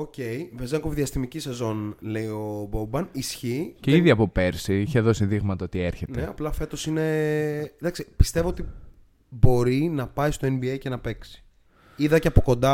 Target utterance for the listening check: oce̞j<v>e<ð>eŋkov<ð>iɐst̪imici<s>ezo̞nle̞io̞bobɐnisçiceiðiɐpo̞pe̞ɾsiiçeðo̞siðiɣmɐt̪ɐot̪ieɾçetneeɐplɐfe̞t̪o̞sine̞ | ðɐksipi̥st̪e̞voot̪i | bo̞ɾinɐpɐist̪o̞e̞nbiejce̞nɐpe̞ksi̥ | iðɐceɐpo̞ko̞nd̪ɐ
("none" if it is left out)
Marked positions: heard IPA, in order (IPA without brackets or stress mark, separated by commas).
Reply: v, z, ð, s